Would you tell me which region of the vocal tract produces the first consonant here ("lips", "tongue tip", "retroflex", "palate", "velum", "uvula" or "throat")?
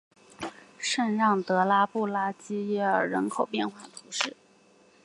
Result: retroflex